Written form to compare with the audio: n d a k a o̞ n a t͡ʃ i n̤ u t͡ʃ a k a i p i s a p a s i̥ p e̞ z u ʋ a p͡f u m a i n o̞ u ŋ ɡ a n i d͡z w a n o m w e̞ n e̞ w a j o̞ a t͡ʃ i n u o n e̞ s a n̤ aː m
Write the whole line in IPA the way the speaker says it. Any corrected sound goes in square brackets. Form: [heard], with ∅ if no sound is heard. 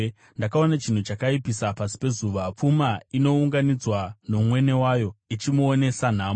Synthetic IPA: n d a k a o̞ n a t͡ʃ i n̤ u t͡ʃ a k a i p i s a p a s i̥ p e̞ z u ʋ a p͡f u m a i n o̞ u ŋ ɡ a n i d͡z w a n o m w e̞ n e̞ w a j o̞ [i] t͡ʃ i [m] u o n e̞ s a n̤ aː m